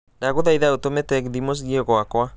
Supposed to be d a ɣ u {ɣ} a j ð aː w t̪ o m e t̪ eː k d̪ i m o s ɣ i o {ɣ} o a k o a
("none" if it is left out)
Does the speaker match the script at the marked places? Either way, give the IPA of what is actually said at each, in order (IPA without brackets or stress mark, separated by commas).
ð, ɣ